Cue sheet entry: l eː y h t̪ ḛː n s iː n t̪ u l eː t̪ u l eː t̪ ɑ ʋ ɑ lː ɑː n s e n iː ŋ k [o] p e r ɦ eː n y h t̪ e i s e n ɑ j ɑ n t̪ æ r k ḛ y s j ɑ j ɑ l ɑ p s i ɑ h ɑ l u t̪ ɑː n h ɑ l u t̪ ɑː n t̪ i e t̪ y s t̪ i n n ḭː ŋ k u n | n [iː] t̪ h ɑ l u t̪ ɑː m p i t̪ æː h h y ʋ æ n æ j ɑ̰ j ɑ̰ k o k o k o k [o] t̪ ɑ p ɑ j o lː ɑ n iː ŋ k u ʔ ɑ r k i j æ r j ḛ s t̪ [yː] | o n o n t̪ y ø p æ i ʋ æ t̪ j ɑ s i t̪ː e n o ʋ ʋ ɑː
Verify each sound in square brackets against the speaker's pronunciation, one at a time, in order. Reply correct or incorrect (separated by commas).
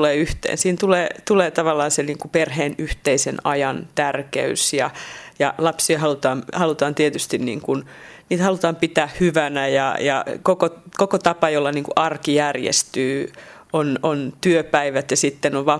incorrect, correct, correct, correct